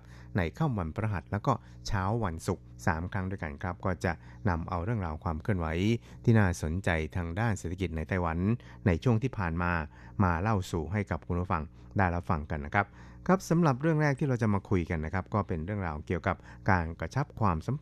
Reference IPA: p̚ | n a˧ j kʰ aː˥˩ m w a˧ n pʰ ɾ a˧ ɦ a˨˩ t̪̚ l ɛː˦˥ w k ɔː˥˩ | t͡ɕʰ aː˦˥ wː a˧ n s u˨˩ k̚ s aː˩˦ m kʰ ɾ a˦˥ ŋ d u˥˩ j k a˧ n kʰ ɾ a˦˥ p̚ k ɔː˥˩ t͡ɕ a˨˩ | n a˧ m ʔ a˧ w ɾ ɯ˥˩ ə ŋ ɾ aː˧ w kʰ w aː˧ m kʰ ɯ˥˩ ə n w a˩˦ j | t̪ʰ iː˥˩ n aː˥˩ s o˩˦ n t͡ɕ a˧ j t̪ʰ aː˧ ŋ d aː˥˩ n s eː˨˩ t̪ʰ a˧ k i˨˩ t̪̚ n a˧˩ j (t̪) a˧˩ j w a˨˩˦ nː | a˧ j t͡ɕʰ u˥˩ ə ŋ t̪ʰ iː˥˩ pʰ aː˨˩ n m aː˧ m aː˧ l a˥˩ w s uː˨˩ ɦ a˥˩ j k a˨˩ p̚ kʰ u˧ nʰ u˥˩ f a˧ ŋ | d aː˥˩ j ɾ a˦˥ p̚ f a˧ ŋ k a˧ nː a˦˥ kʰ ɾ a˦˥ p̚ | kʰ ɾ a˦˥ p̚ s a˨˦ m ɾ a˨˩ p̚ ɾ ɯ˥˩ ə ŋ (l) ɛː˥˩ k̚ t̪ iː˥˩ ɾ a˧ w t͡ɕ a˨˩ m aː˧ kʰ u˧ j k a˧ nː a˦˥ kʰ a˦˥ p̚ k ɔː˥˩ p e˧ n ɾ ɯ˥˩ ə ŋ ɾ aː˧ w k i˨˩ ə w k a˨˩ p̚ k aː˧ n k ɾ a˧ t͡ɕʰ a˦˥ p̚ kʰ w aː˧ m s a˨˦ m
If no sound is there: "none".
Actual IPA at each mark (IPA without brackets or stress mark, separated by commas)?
t̪, ɾ